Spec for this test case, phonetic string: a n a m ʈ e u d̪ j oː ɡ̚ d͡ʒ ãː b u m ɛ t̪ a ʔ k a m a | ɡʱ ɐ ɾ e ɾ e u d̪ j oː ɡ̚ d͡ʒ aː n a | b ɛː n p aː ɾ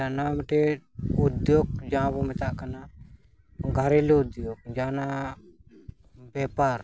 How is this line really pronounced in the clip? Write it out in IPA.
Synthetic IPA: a n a m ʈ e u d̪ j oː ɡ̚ d͡ʒ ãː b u m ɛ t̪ a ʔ k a n a | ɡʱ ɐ ɾ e l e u d̪ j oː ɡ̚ d͡ʒ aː n a | b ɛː p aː ɾ